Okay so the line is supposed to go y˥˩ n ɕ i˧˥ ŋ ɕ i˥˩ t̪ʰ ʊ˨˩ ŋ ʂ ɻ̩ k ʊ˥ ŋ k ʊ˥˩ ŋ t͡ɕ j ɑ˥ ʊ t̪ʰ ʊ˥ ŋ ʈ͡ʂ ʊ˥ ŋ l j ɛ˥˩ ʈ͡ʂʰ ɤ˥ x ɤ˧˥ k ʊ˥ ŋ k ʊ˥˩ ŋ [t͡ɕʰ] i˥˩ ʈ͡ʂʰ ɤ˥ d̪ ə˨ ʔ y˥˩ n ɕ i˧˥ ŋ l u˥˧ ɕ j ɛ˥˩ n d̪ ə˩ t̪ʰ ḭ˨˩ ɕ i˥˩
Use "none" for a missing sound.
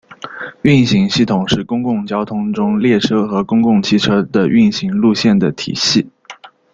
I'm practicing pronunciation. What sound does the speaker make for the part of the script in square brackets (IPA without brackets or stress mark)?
t͡ɕʰ